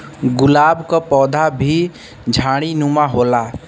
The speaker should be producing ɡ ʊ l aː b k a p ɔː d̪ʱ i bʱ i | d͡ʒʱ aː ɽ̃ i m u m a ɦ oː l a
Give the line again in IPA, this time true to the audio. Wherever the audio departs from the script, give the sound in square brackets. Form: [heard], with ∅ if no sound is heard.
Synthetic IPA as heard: ɡ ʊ l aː b k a p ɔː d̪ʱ [a] bʱ i | d͡ʒʱ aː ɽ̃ i [n] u m a ɦ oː l a